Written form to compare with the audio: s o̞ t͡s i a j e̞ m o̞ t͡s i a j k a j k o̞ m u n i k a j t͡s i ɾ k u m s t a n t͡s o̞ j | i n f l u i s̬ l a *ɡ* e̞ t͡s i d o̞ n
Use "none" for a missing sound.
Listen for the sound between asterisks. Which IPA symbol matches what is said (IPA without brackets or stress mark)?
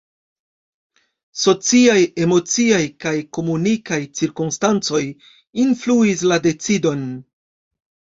d